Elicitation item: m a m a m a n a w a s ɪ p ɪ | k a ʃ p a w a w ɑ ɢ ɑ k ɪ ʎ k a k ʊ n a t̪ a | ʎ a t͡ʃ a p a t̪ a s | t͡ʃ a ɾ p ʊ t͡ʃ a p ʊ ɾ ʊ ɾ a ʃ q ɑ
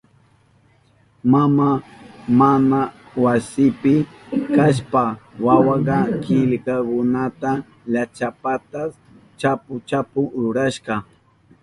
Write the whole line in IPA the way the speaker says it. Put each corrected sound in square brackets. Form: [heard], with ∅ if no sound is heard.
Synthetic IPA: m a m a m a n a w a s ɪ p ɪ | k a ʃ p a w a w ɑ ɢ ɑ k ɪ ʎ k a k ʊ n a t̪ a | ʎ a t͡ʃ a p a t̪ a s | t͡ʃ a [∅] p ʊ t͡ʃ a p ʊ ɾ ʊ ɾ a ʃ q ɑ

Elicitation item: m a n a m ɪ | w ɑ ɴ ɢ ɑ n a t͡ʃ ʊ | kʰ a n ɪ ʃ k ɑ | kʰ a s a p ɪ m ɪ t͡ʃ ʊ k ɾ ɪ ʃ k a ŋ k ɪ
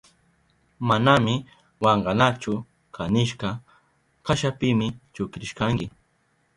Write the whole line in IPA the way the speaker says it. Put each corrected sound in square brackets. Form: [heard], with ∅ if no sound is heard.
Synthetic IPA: m a n a m ɪ | w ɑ ɴ ɢ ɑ n a t͡ʃ ʊ | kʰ a n ɪ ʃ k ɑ | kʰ a [ʃ] a p ɪ m ɪ t͡ʃ ʊ k ɾ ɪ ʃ k a ŋ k ɪ

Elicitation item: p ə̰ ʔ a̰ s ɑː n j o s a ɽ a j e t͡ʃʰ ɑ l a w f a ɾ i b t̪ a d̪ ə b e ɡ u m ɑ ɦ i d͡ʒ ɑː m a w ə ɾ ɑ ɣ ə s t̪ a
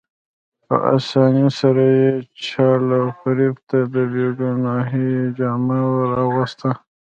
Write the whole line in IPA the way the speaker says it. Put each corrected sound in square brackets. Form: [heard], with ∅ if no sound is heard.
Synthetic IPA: p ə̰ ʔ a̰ s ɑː n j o s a [ɾ] a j e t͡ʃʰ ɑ l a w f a ɾ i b t̪ a d̪ ə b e ɡ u [n] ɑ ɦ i d͡ʒ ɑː m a w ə ɾ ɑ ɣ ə s t̪ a

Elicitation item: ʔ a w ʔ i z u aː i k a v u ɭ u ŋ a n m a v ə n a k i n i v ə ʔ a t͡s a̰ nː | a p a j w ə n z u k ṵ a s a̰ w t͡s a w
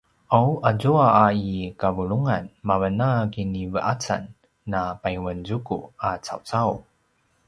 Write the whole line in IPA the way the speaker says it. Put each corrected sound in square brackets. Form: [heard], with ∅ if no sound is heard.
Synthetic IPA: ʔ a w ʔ [a] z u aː i k a v u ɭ u ŋ a n m a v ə n a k i n i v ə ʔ a t͡s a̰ nː | a p a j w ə n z u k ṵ a [t͡s] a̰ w t͡s a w

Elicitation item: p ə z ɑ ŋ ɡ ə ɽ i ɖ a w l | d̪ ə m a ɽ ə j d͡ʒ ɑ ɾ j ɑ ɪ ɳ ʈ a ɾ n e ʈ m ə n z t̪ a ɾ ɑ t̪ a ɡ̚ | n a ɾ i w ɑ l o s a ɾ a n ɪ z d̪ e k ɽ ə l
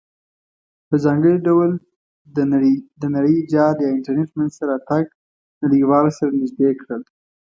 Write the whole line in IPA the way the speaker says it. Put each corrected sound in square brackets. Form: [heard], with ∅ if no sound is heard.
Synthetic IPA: p ə z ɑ ŋ ɡ ə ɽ i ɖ a w l | d̪ ə [n] a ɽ ə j d͡ʒ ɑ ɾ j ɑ ɪ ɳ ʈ a ɾ n e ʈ m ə n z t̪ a ɾ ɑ t̪ a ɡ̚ | n a [ɽ] i w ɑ l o s a ɾ a n ɪ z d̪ e k ɽ ə l

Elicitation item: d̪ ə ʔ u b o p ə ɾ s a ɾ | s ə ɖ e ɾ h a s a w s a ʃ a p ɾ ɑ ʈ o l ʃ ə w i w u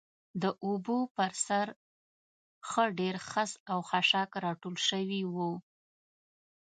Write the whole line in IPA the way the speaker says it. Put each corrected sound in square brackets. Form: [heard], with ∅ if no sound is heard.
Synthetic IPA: d̪ ə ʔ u b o p ə ɾ s a ɾ | [x] ə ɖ e ɾ [x] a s a w [x] a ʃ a [k] ɾ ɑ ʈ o l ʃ ə w i w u

